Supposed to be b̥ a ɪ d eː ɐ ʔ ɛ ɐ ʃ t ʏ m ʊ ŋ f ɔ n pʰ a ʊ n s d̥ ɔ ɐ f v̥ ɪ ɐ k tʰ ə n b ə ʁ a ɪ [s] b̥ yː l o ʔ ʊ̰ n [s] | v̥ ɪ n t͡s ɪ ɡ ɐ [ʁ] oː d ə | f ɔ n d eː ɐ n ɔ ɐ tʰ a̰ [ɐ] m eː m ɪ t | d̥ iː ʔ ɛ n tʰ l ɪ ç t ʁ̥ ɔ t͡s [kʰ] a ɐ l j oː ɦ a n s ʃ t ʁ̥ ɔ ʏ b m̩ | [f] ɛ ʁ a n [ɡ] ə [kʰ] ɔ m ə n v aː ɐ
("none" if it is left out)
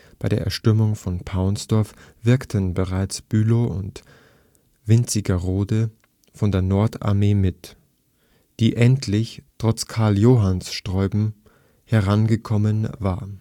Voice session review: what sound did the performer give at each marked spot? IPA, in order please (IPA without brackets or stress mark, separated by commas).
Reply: t͡s, t, ʁ, ɐ, kʰ, h, ɡ, kʰ